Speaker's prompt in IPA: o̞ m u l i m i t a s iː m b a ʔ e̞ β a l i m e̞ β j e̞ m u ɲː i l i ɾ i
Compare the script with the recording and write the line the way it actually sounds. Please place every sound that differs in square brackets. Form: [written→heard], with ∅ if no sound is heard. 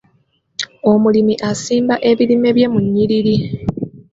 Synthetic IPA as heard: o̞ m u l i m i [t→ʔ] a s iː m b a ʔ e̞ β [a→i] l i m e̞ β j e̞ m u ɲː i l i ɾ i